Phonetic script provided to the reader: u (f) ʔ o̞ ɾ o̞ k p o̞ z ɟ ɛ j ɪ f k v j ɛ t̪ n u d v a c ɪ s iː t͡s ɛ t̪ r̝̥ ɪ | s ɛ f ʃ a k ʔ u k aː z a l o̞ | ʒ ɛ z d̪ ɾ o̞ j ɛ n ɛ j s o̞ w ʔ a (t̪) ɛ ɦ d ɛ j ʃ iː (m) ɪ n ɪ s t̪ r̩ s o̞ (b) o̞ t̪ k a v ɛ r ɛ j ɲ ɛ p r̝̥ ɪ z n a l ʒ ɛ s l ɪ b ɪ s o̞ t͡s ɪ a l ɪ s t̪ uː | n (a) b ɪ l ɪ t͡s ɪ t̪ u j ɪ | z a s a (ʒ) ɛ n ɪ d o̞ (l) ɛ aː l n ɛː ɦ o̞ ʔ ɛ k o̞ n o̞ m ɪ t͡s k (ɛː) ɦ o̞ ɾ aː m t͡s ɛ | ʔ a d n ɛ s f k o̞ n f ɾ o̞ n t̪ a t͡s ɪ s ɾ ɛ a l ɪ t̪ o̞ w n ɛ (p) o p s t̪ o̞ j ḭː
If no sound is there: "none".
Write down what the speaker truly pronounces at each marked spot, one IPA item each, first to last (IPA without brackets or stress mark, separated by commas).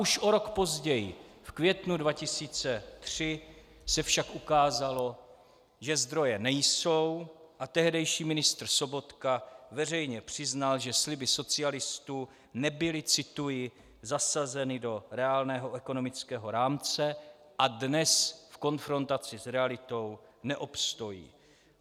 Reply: ʃ, t̪, m, b, ɛ, z, ɾ, ɛː, ʔ